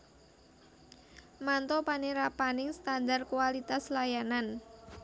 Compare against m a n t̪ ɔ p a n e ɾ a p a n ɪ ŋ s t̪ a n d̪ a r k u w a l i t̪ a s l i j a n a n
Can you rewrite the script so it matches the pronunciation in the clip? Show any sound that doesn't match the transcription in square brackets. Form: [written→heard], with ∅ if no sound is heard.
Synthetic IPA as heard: m a n t̪ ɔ p a n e ɾ a p a n ɪ ŋ s t̪ a n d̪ a r k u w a l i t̪ a s l [i→a] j a n a n

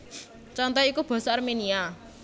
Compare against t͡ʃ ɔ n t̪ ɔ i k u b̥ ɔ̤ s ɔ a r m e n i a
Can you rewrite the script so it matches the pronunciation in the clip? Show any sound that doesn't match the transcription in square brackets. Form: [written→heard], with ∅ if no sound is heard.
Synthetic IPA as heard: t͡ʃ ɔ n t̪ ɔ i k u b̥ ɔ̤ s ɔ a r m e n i a

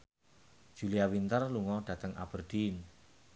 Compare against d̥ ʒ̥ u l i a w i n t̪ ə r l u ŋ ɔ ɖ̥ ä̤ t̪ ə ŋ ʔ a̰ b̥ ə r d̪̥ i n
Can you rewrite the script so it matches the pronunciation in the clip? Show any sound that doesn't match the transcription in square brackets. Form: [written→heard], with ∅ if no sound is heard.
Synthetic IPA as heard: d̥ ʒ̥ u l i a w i n t̪ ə r l u ŋ ɔ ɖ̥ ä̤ t̪ ə ŋ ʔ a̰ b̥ ə r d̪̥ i n

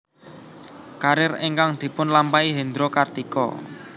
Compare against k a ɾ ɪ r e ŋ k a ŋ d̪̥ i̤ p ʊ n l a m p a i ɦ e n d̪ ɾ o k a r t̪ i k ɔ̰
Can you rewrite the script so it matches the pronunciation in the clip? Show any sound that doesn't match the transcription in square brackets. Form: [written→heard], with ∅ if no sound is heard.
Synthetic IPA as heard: k a ɾ ɪ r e ŋ k a ŋ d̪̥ i̤ p ʊ n l a m p a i ɦ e n d̪ ɾ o k a r t̪ i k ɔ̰

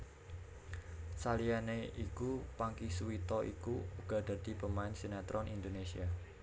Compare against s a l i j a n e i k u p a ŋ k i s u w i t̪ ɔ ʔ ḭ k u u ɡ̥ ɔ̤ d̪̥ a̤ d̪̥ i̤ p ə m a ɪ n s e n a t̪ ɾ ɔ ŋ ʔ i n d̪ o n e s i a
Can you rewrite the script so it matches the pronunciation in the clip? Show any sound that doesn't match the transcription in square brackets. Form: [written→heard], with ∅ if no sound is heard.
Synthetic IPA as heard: s a l i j a n e i k u p a ŋ k i s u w i t̪ ɔ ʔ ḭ k u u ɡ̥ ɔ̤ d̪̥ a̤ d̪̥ i̤ p ə m a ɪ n s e n a t̪ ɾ ɔ [ŋ→n] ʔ i n d̪ o n e s i a

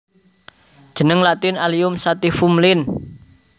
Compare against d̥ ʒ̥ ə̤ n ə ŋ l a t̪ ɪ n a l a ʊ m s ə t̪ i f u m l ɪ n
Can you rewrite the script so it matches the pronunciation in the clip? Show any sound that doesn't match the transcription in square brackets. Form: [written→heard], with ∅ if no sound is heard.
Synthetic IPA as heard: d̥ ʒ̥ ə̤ n ə ŋ l a t̪ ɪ n a l [a→i] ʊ m s [ə→a] t̪ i f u m l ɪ n

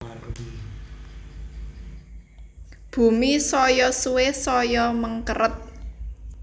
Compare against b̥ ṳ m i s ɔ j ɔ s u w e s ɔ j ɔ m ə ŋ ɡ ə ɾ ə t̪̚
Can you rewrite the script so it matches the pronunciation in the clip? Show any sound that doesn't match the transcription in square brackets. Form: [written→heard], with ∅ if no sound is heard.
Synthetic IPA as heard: b̥ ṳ m i s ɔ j ɔ s u w e s ɔ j ɔ m ə ŋ [ɡ→k] ə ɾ ə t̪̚

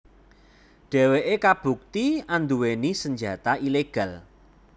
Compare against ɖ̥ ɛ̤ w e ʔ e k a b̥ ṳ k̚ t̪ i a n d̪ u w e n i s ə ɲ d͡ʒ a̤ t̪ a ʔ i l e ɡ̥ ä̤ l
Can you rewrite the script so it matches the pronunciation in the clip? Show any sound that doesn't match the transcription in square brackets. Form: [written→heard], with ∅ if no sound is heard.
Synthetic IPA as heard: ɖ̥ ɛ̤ w e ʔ e k a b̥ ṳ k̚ t̪ i a n d̪ u w e n i s ə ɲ d͡ʒ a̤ t̪ a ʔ i l e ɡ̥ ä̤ l

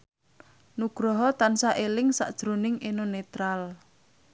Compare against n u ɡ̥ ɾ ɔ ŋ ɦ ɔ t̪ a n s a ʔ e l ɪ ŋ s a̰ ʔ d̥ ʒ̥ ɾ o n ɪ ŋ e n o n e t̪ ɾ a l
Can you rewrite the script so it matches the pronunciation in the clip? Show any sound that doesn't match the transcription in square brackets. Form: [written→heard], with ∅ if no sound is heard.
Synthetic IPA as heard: n u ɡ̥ ɾ ɔ [ŋ→∅] ɦ ɔ t̪ a n s a ʔ e l ɪ ŋ s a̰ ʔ d̥ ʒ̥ ɾ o n ɪ ŋ e n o n e t̪ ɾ a l

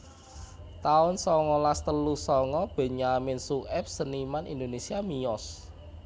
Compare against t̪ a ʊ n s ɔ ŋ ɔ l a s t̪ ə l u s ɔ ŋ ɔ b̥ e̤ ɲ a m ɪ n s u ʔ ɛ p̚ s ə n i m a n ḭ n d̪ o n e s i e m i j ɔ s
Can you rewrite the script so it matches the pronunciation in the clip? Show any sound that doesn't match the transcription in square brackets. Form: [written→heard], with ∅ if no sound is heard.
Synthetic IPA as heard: t̪ a ʊ n s ɔ ŋ ɔ l a s t̪ ə l u s ɔ ŋ ɔ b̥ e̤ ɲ a m ɪ n s u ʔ ɛ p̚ s ə n i m a n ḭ n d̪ o n e s i [e→a] m i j ɔ s

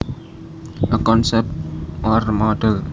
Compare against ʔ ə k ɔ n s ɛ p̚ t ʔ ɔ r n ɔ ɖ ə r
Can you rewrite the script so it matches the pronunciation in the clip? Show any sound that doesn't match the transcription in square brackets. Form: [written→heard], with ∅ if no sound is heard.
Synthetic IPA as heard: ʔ ə k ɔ n s ɛ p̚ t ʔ ɔ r [n→m] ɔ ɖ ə [r→l]

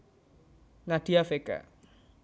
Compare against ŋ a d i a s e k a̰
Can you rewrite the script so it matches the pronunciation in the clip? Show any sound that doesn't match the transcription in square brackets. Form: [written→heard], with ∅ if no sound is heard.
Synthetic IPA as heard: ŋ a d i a [s→f] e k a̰

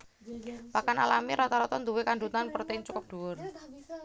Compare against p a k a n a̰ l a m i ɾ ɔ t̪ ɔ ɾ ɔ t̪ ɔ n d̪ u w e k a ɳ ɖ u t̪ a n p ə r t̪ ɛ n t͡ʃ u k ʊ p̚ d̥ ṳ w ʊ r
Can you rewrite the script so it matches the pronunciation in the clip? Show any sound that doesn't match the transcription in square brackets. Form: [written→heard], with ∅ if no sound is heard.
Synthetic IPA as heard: p a k a n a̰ l a m i ɾ ɔ t̪ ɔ ɾ ɔ t̪ ɔ n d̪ u w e k a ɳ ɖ u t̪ a n p ə r t̪ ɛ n t͡ʃ u k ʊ p̚ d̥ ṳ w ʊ r

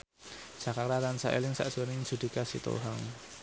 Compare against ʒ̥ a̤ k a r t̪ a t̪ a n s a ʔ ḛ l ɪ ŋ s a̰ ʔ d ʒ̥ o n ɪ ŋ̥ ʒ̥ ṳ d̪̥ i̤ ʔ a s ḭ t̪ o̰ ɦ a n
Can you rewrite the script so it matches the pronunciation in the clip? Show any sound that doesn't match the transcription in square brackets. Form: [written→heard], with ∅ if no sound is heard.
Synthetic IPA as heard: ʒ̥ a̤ k a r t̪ a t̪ a n s a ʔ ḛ l ɪ ŋ s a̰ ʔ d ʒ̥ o n ɪ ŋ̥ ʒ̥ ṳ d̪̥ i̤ [ʔ→k] a s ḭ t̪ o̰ ɦ a [n→ŋ]

